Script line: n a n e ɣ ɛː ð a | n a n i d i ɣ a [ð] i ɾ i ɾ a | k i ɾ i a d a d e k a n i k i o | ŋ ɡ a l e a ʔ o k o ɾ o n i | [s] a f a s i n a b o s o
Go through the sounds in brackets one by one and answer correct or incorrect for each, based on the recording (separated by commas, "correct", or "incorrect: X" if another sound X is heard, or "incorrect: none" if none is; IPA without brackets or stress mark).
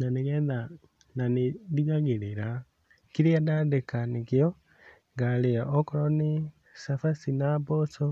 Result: incorrect: ɣ, correct